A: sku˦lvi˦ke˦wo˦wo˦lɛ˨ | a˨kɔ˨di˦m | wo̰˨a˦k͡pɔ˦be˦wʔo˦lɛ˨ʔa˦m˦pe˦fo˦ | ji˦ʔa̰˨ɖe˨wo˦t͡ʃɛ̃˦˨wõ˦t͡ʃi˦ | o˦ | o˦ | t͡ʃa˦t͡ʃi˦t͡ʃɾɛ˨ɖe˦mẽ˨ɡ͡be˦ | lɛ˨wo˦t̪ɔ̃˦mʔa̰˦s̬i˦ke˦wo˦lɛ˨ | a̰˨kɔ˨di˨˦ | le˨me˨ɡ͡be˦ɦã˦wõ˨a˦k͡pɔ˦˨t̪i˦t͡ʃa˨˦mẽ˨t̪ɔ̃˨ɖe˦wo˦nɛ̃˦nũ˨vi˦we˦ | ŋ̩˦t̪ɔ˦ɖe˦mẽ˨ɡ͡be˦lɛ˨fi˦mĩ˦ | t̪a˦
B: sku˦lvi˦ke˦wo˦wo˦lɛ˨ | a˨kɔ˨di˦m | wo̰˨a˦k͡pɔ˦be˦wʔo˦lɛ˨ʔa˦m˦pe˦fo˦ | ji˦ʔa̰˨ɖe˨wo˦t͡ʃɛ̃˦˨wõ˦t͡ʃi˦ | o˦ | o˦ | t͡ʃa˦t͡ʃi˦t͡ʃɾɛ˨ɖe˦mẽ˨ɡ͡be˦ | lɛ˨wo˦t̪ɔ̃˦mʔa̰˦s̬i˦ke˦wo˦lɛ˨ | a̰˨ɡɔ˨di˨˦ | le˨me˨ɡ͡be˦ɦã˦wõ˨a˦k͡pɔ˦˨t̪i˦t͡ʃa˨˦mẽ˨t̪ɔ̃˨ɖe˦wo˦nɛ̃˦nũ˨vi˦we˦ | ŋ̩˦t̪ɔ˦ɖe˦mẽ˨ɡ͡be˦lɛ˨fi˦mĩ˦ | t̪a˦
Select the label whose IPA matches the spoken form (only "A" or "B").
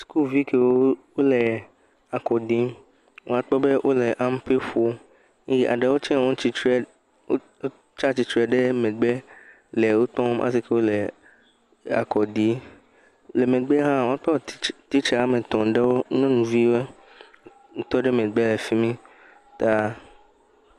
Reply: A